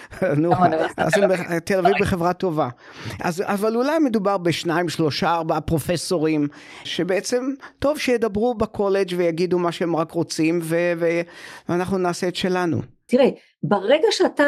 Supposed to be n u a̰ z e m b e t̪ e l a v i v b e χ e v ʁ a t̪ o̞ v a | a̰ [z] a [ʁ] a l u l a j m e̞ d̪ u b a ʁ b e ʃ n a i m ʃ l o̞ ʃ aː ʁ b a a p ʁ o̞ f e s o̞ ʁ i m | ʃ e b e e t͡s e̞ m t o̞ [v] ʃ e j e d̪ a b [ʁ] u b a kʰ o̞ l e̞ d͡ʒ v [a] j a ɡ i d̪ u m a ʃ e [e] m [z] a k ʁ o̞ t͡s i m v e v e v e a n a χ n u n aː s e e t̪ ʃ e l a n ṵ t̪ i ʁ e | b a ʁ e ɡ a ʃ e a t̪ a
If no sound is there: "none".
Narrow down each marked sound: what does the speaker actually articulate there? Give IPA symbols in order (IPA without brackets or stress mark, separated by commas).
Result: z, v, v, ʁ, e, e, ʁ